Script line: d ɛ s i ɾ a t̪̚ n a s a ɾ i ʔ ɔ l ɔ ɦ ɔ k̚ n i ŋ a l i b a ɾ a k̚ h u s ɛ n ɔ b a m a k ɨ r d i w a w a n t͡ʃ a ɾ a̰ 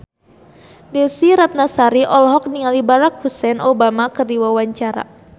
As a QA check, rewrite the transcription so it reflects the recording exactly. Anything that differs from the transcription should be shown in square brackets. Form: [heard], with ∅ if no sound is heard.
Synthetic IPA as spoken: d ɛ s i ɾ a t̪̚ n a s a ɾ i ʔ ɔ l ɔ ɦ ɔ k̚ n i ŋ a l i b a ɾ a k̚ h u s ɛ n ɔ b a m a k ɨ r d i w a w a [ɲ] t͡ʃ a ɾ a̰